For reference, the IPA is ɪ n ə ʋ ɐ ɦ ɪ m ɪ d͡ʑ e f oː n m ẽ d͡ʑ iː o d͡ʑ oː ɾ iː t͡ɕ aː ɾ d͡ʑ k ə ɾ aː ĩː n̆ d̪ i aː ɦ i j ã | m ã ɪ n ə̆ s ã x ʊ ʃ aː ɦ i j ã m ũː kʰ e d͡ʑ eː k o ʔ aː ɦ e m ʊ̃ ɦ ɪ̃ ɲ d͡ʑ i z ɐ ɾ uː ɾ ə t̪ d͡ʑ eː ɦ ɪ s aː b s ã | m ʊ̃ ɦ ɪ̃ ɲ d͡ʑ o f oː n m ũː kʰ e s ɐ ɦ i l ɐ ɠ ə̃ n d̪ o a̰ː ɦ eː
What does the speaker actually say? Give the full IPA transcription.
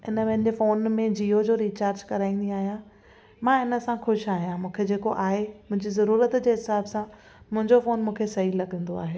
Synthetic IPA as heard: ɪ n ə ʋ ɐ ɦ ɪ n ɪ d͡ʑ e f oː n m ẽ d͡ʑ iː o d͡ʑ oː ɾ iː t͡ɕ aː ɾ d͡ʑ k ɐ ɾ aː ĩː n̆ d̪ i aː ɦ i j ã | m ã ɪ n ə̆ s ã x ʊ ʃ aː ɦ i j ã m ũː kʰ e d͡ʑ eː k o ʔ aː ɦ e m ʊ̃ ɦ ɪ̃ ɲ d͡ʑ i z ɐ ɾ uː ɾ ə t̪ d͡ʑ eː ɦ ɪ s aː b s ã | m ʊ̃ ɦ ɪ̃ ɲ d͡ʑ o f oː n m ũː kʰ e s ɐ ɦ i l ɐ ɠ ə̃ n d̪ o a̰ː ɦ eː